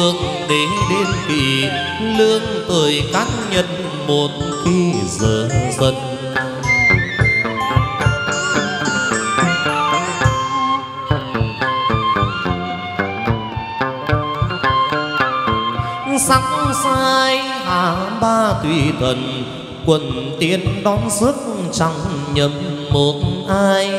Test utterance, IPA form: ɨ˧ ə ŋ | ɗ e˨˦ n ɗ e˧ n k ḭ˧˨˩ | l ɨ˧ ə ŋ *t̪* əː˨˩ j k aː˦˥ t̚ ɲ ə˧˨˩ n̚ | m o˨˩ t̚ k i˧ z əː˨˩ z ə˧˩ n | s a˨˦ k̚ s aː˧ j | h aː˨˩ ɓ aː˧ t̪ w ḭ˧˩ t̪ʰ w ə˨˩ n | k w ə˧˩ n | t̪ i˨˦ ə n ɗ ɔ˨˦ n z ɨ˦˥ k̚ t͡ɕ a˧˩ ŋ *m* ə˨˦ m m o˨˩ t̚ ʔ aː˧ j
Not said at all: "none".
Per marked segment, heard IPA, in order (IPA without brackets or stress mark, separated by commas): t̪, ɲ